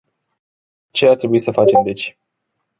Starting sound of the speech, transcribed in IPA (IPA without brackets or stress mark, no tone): t͡ʃ